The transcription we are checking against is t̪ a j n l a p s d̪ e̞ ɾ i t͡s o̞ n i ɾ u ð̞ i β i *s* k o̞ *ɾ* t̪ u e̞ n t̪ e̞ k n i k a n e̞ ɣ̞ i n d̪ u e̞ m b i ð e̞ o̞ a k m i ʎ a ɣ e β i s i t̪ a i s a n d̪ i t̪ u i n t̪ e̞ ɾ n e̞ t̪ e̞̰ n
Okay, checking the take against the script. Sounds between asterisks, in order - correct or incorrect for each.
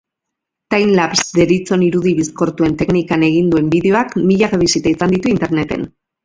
correct, correct

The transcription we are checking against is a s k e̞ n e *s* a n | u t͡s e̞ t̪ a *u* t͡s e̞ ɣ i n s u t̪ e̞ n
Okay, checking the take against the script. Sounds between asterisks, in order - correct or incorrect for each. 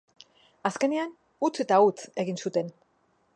incorrect, correct

